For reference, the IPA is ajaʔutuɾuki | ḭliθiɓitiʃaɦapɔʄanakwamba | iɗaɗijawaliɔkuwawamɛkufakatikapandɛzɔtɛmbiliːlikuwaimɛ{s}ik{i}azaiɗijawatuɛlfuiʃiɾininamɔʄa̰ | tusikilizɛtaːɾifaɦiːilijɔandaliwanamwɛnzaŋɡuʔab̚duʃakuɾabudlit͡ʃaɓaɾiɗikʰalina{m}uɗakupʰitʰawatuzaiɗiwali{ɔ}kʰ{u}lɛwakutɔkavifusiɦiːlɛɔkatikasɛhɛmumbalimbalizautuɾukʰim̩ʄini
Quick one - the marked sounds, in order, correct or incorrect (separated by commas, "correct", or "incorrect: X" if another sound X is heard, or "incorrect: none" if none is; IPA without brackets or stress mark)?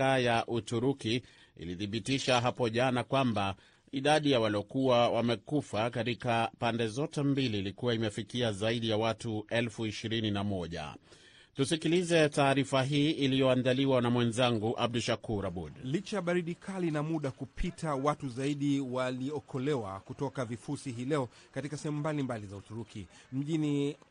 incorrect: f, correct, correct, correct, incorrect: ɔ